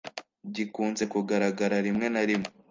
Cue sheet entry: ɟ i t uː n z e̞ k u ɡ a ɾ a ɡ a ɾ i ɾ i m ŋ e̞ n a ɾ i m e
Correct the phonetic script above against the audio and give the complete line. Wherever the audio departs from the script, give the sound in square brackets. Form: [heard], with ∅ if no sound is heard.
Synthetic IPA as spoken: ɟ i [k] uː n z e̞ k u ɡ a ɾ a ɡ a ɾ [a] ɾ i m ŋ e̞ n a ɾ i m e